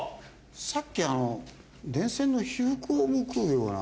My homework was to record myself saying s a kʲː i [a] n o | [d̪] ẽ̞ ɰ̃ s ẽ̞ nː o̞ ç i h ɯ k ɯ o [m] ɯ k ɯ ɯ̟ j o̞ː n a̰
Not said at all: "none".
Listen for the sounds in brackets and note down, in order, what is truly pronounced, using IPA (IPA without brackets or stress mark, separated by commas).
a, d̪, m